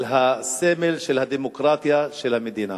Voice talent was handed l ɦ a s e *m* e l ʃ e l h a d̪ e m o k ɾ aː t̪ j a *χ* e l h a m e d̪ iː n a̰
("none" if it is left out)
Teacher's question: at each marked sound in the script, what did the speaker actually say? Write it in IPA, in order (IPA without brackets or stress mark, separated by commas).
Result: m, ʃ